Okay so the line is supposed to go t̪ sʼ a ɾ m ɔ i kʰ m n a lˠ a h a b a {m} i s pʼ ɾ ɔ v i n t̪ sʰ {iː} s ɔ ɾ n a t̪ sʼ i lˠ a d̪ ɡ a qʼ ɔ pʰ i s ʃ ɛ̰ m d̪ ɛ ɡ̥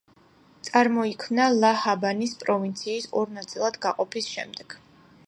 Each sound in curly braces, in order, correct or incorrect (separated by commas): incorrect, correct